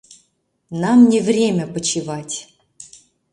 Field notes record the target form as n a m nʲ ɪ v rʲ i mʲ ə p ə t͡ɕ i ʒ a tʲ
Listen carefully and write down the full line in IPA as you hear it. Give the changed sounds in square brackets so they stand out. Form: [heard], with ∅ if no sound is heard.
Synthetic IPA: n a m nʲ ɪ v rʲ [e] mʲ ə p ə t͡ɕ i [v] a tʲ